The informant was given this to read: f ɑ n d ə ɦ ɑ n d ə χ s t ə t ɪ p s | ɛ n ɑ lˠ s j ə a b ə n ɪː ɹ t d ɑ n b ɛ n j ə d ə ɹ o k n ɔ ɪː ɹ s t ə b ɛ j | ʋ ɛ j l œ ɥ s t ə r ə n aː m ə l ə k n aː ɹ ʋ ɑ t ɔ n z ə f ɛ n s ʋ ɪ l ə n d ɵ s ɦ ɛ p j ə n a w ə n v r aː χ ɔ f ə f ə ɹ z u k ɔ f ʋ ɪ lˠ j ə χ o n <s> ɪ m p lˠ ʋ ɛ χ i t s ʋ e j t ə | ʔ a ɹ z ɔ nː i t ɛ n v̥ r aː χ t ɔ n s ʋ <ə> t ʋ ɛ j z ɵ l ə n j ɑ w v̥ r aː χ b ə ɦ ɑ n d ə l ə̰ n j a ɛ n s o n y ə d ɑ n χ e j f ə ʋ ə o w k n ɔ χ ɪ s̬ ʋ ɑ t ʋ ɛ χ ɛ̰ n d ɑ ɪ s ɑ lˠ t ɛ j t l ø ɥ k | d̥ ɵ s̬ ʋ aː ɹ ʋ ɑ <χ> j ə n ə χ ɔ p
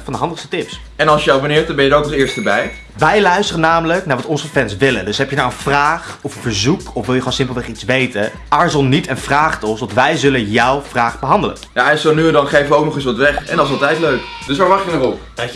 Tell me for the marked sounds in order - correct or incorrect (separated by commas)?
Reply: correct, incorrect, correct